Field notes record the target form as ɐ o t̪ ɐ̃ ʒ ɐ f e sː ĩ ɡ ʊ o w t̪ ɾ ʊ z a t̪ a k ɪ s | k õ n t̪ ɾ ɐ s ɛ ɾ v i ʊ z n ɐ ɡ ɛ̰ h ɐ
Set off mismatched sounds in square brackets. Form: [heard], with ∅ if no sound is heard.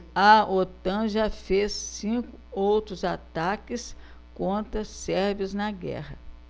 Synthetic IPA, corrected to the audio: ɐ o t̪ ɐ̃ ʒ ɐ f e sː ĩ [k] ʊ o w t̪ ɾ ʊ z a t̪ a k ɪ s | k õ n t̪ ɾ ɐ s ɛ ɾ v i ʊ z n ɐ ɡ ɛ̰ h ɐ